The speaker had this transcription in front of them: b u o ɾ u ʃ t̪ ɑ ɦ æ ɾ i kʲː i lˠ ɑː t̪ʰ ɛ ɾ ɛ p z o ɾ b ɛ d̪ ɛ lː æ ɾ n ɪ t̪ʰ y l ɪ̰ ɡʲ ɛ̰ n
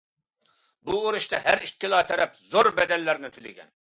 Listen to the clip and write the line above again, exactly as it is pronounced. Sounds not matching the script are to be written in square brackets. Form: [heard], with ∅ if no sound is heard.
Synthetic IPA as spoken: b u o ɾ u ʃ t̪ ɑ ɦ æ ɾ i kʲː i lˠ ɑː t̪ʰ ɛ ɾ ɛ p z o ɾ b ɛ d̪ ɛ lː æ ɾ n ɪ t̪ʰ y l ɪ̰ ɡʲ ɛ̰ n